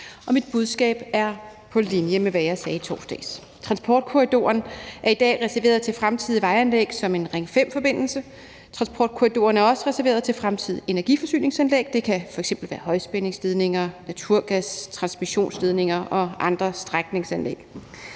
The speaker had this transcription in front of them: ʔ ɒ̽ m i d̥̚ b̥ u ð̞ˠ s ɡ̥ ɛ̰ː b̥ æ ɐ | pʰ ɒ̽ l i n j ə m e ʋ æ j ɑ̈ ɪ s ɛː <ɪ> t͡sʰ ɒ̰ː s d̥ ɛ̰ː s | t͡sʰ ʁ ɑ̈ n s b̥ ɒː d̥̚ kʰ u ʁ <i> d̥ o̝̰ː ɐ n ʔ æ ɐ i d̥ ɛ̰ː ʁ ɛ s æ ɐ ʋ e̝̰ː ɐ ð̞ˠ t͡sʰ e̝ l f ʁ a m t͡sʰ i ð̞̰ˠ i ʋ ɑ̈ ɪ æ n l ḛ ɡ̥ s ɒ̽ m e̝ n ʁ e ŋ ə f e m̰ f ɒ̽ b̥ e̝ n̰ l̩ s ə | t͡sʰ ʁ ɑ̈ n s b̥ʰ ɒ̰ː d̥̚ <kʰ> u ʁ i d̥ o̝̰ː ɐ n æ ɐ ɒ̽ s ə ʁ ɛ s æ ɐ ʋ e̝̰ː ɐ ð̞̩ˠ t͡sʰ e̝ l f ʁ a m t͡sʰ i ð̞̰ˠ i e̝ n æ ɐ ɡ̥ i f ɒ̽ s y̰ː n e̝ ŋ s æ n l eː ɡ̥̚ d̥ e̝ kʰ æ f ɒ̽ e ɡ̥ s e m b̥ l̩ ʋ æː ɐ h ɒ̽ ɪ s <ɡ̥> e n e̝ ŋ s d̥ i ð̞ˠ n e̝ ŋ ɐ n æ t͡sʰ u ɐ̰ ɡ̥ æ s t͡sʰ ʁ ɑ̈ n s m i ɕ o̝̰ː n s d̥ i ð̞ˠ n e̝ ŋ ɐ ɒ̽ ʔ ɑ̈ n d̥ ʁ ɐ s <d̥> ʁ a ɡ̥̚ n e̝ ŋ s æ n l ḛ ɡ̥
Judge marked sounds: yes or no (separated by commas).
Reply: no, yes, yes, no, yes